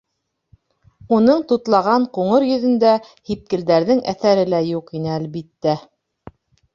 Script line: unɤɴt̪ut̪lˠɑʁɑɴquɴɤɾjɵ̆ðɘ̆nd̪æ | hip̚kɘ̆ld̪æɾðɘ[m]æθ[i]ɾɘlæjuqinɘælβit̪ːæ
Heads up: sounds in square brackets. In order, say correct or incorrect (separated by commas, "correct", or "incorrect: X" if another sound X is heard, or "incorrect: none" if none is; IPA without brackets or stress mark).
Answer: incorrect: ŋ, incorrect: æ